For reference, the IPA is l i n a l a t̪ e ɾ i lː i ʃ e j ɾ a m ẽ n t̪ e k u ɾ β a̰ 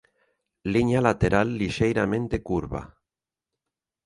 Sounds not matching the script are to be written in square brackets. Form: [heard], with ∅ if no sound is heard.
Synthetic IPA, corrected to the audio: l i [ɲ] a l a t̪ e ɾ [a] lː i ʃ e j ɾ a m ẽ n t̪ e k u ɾ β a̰